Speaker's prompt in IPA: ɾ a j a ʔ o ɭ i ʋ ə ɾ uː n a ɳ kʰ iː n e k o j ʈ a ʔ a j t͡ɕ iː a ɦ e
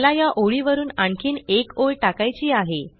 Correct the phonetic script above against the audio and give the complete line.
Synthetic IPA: l a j a ʔ o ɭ i ʋ ə ɾ uː n a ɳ kʰ iː n e k o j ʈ a k a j t͡ɕ iː a ɦ e